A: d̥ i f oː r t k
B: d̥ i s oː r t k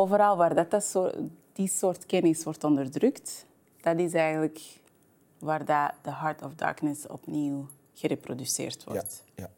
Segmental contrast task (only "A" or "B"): B